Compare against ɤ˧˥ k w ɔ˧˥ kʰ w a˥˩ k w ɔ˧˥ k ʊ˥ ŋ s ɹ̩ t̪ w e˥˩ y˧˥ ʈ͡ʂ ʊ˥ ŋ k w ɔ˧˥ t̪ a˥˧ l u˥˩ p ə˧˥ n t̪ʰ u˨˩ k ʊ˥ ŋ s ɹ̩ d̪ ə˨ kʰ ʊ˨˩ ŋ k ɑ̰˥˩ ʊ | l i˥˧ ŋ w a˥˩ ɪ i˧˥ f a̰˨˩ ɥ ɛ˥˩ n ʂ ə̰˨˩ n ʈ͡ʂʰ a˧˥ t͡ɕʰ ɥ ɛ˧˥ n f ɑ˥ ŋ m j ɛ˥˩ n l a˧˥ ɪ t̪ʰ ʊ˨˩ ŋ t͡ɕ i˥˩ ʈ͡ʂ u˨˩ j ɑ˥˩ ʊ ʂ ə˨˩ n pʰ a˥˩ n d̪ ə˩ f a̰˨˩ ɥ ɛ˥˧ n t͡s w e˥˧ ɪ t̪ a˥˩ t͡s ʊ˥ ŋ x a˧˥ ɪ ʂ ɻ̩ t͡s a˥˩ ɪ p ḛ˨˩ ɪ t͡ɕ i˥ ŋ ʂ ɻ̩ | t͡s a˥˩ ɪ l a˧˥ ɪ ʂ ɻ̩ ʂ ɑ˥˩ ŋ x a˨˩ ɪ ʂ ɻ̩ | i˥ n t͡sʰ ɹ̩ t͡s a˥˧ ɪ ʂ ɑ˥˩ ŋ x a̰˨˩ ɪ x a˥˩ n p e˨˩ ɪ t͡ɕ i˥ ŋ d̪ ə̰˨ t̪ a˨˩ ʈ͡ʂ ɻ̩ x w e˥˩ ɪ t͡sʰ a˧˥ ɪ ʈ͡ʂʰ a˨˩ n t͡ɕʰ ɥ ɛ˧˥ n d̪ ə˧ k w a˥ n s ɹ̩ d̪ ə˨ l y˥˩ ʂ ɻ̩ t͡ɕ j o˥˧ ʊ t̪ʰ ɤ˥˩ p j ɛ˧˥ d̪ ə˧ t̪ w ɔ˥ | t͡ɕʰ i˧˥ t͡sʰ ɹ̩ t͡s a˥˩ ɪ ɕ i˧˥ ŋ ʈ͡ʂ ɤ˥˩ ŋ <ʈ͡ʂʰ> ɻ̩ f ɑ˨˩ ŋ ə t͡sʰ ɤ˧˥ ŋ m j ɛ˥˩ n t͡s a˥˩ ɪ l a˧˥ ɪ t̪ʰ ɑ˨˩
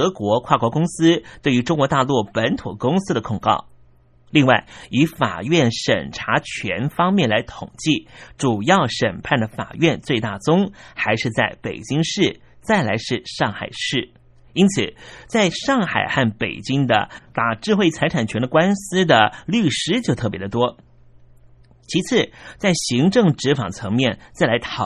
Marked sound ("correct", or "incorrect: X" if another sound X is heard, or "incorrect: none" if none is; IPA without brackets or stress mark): incorrect: ʈ͡ʂ